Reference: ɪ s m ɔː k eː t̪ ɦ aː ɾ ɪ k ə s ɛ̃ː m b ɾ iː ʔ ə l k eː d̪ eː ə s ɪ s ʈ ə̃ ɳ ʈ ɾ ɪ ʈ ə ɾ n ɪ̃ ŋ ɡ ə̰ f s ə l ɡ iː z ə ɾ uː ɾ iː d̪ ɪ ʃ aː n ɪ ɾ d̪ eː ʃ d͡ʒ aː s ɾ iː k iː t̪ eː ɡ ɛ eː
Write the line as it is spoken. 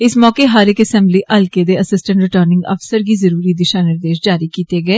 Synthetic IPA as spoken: ɪ s m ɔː k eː ɦ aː ɾ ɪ k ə s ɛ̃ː m b l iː ʔ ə l k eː d̪ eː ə s ɪ s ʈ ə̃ ɳ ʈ ɾ ɪ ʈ ə ɾ n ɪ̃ ŋ ɡ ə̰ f s ə ɾ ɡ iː z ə ɾ uː ɾ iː d̪ ɪ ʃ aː n ɪ ɾ d̪ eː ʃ d͡ʒ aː ɾ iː k iː t̪ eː ɡ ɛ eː